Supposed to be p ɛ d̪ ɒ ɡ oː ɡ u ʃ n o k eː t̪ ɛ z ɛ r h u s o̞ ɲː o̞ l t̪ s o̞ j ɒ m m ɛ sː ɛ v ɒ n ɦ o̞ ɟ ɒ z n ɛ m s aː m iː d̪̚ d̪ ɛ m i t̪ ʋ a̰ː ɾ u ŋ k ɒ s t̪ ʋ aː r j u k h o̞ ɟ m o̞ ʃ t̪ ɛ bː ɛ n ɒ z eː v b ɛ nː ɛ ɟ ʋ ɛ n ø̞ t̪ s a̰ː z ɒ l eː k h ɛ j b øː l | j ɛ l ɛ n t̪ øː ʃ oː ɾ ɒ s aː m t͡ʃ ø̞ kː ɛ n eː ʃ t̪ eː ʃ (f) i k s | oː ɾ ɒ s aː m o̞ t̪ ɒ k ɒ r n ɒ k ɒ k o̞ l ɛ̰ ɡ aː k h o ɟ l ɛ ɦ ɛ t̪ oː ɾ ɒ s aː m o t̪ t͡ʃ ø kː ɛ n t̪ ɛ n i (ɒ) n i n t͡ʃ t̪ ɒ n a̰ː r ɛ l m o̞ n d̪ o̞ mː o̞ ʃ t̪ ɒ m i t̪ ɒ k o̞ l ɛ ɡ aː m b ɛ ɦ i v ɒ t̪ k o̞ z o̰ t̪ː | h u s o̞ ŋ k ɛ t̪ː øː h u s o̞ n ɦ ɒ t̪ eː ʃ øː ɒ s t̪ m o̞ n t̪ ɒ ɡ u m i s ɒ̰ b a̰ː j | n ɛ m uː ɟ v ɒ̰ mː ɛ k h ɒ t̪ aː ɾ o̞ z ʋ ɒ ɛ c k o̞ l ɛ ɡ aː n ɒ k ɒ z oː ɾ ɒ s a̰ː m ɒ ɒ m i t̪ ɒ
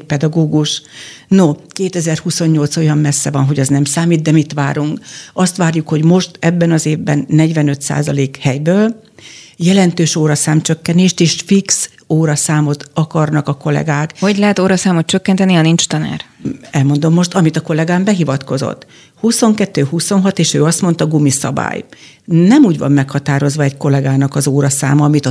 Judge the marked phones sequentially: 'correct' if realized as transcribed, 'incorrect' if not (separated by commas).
correct, correct